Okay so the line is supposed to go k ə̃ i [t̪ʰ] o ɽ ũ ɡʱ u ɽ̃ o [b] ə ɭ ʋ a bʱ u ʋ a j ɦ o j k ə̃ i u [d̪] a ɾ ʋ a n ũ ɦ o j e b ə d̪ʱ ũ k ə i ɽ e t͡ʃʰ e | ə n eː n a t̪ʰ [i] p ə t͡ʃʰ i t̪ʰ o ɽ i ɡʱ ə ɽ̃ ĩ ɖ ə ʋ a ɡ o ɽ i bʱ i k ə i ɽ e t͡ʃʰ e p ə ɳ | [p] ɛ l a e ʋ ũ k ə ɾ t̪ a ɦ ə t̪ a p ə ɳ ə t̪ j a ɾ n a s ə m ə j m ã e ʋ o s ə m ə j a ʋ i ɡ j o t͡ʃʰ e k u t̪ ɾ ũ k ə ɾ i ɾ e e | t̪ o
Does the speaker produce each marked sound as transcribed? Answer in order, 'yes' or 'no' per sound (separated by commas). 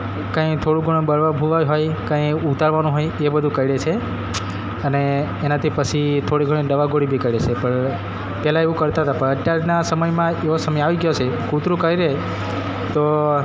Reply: yes, yes, no, yes, yes